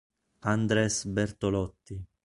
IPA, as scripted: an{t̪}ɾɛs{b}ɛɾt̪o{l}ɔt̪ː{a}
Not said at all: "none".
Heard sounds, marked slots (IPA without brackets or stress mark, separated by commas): d̪, b, l, i